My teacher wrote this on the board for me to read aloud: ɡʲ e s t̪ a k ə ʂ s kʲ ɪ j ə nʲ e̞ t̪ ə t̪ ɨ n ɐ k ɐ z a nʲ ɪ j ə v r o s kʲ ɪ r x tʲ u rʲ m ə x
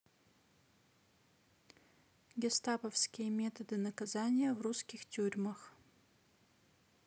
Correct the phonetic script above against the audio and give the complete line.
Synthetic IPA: ɡʲ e s t̪ a p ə f s kʲ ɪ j ə mʲ e̞ t̪ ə d̪ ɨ n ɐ k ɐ z a nʲ ɪ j ə v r u s kʲ ɪ x tʲ u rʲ m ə x